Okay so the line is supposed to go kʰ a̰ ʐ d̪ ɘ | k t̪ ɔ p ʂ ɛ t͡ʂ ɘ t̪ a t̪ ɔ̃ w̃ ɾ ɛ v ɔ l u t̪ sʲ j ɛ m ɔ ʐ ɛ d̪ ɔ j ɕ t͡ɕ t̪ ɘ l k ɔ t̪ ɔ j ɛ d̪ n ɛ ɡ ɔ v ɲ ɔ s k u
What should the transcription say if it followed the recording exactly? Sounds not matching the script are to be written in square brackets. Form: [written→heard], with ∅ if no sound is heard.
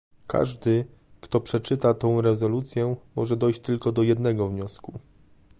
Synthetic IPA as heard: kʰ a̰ ʐ d̪ ɘ | k t̪ ɔ p ʂ ɛ t͡ʂ ɘ t̪ a t̪ ɔ̃ w̃ ɾ ɛ [v→z] ɔ l u t̪ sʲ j ɛ m ɔ ʐ ɛ d̪ ɔ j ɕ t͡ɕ t̪ ɘ l k ɔ [t̪→d̪] ɔ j ɛ d̪ n ɛ ɡ ɔ v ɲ ɔ s k u